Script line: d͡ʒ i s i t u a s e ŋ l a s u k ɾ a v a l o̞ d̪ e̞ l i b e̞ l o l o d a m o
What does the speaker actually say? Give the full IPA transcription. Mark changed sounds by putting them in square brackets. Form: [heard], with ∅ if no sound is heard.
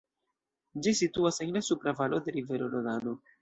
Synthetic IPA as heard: d͡ʒ i s i t u a s e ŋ l a s u [p] ɾ a v a l o̞ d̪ e̞ [ɾ] i [v] e̞ [ɾ] o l o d a [n] o